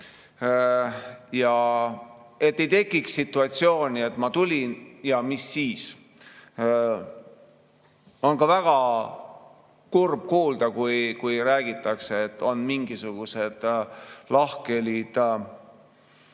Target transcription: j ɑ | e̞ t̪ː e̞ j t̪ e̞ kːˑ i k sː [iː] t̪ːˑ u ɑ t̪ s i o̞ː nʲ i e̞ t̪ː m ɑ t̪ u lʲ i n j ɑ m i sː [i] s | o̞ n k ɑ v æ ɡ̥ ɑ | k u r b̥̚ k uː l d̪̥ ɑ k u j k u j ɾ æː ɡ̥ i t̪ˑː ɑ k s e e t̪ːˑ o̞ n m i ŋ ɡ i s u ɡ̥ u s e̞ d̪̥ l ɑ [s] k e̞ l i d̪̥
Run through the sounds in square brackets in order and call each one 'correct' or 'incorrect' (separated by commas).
incorrect, incorrect, incorrect